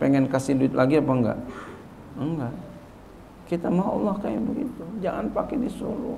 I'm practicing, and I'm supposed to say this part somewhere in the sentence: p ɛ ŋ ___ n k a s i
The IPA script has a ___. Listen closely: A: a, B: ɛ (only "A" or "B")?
B